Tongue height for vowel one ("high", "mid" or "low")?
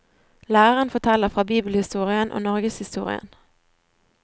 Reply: low